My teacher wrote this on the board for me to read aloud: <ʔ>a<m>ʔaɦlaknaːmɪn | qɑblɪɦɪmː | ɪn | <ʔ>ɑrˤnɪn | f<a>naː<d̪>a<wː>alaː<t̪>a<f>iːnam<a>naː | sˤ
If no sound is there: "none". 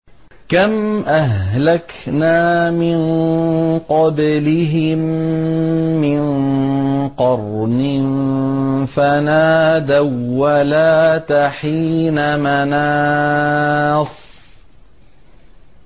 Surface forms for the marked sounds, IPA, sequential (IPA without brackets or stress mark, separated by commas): k, m, q, a, d̪, wː, t̪, ħ, a